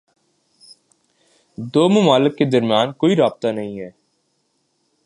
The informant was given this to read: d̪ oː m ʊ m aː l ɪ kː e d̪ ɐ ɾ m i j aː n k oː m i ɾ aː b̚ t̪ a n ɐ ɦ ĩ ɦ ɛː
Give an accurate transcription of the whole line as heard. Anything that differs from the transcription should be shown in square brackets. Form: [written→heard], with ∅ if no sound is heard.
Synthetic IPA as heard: d̪ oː m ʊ m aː l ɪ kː e d̪ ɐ ɾ m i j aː n k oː [m→∅] i ɾ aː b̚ t̪ a n ɐ ɦ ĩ ɦ ɛː

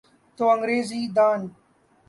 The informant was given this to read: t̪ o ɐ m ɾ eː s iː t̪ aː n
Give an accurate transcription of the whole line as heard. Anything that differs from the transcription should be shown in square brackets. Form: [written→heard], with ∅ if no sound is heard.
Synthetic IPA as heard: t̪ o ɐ [m→ŋ] ɾ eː [s→z] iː [t̪→d̪] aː n

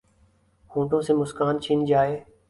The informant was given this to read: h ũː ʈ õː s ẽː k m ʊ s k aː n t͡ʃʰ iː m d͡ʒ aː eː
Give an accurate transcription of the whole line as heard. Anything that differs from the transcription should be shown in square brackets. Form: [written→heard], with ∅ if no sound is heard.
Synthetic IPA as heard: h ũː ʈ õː s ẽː [k→∅] m ʊ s k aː n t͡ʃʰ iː [m→n] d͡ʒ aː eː

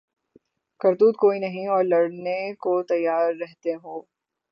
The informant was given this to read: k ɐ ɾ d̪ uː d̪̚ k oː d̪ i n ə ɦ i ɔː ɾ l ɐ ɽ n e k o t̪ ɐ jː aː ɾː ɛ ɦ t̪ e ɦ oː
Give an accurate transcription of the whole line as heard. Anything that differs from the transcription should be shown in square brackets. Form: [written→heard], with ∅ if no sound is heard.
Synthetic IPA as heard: k ɐ ɾ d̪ uː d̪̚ k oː [d̪→∅] i n [ə→ɐ] ɦ [i→ĩ] ɔː ɾ l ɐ ɽ n e k o t̪ ɐ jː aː ɾː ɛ ɦ t̪ e ɦ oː

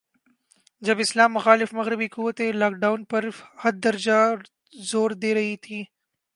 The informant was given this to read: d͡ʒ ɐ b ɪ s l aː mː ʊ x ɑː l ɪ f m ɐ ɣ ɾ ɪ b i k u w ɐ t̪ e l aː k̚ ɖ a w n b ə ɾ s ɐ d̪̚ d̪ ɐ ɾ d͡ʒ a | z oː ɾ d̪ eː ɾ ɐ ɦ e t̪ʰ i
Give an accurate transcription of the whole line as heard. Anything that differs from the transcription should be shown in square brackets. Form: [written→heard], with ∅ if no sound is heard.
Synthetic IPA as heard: d͡ʒ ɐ b ɪ s l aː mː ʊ x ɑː l ɪ f m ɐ ɣ ɾ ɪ b i k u w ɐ t̪ e l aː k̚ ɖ a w n [b→p] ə ɾ [s→h] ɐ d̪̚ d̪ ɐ ɾ d͡ʒ a | z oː ɾ d̪ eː ɾ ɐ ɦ [e→i] t̪ʰ i

